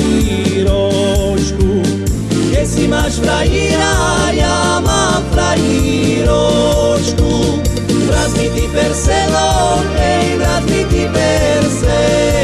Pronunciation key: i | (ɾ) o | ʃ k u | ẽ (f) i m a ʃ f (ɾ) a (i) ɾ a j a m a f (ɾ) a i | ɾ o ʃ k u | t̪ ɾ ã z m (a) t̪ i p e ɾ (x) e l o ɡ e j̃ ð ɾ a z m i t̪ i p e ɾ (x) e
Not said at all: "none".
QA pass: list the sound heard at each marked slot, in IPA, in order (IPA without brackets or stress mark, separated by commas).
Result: ɾ, s, ɾ, i, ɾ, i, s, s